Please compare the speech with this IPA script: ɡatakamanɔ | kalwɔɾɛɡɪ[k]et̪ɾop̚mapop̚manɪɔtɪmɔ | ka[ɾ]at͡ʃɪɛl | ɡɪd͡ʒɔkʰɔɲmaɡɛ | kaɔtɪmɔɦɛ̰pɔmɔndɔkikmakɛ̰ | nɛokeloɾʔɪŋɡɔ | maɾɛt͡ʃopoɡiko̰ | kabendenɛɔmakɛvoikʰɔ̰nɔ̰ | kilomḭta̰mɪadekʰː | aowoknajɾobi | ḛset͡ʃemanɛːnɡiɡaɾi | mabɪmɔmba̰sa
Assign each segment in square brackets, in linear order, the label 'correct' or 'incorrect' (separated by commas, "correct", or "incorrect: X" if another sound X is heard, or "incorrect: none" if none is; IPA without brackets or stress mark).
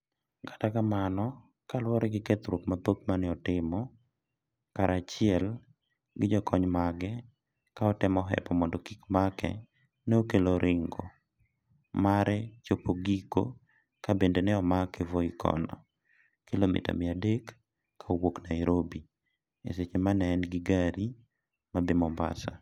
correct, correct